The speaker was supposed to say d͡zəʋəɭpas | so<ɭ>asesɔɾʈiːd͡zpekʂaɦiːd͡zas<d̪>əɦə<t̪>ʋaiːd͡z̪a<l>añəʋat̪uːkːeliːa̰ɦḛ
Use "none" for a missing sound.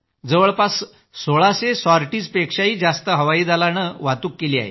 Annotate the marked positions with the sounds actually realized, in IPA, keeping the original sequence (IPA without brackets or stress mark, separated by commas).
ɭ, t̪, none, l